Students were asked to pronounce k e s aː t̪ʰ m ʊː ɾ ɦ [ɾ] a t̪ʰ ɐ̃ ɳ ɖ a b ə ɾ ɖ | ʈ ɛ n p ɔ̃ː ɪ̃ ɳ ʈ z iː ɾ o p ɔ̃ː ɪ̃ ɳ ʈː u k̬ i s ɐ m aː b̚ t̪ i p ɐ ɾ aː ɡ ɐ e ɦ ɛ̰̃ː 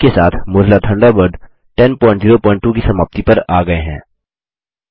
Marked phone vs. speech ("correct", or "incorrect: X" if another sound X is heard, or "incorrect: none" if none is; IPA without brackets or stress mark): incorrect: l